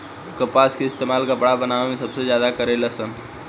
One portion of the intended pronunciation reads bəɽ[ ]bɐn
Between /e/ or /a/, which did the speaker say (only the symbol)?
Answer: a